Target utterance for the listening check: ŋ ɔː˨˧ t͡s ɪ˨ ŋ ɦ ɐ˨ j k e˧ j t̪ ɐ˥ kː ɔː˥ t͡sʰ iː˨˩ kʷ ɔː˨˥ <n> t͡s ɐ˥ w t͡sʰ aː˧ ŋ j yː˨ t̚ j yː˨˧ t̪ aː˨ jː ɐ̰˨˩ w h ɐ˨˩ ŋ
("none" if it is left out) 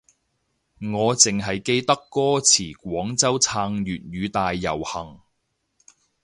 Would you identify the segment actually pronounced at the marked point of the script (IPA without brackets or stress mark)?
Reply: ŋ